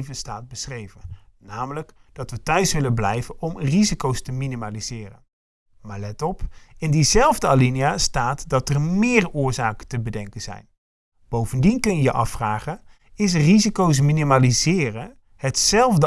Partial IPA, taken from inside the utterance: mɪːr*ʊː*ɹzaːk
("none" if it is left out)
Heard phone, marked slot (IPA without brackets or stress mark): ʊː